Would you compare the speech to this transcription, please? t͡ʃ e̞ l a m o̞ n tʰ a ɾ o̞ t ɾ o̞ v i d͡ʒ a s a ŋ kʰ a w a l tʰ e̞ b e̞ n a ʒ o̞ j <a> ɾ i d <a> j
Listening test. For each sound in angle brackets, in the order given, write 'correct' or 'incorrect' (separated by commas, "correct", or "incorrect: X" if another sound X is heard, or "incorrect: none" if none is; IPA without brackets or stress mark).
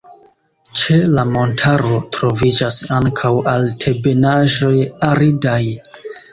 correct, correct